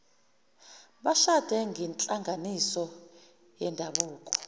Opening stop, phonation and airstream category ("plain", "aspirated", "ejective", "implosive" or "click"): implosive